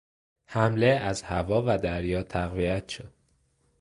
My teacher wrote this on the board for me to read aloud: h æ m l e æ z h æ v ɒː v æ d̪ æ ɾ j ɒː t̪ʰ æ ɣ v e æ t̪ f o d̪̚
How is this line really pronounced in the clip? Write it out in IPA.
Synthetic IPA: h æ m l e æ z h æ v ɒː v æ d̪ æ ɾ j ɒː t̪ʰ æ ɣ v i æ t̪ ʃ o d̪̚